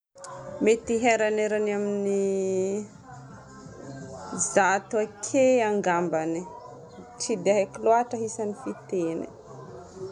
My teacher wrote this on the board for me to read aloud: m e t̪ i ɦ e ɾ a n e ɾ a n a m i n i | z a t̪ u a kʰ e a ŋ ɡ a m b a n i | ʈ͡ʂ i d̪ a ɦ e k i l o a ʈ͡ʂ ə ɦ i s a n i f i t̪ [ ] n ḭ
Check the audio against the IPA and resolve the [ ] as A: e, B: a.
A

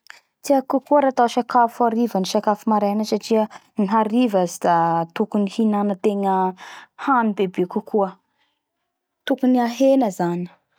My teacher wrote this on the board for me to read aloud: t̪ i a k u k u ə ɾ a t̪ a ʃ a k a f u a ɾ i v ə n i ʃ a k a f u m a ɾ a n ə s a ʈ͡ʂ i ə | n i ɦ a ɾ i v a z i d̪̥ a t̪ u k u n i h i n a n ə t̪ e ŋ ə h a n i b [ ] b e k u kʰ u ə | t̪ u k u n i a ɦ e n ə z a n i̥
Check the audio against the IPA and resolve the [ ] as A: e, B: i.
A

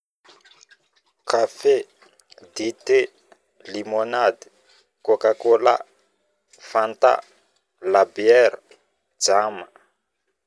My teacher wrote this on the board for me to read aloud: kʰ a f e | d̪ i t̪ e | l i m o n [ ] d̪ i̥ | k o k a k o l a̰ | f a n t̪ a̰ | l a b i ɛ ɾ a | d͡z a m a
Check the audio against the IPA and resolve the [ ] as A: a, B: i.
A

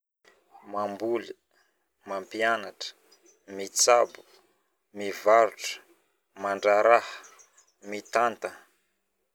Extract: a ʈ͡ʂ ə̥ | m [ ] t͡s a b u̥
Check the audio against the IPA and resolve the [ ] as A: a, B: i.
B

